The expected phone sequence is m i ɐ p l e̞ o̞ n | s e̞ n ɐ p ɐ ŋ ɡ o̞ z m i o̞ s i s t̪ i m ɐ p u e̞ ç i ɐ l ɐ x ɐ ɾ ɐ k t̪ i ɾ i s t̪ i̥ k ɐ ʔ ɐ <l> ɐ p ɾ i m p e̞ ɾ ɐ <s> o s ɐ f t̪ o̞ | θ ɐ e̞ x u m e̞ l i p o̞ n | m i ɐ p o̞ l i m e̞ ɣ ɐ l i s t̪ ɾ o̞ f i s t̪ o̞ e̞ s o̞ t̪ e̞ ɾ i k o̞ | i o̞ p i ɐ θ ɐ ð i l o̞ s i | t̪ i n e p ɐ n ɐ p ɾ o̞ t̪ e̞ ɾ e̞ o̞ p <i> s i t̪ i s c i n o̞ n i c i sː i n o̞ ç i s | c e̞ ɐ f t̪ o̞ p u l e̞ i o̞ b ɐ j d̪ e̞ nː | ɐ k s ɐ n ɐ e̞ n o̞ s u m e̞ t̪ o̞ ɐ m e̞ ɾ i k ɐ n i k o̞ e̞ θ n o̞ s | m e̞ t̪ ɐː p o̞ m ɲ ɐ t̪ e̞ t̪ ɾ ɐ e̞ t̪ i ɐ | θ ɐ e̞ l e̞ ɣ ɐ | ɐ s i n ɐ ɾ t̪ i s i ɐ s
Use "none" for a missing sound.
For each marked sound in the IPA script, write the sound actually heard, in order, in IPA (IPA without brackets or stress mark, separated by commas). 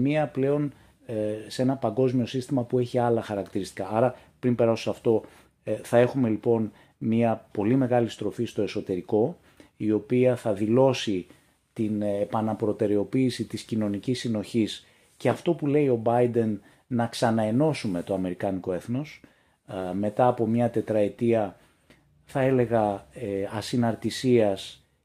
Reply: ɾ, s, iː